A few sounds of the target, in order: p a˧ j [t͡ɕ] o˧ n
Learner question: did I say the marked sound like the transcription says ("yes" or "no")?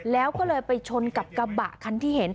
no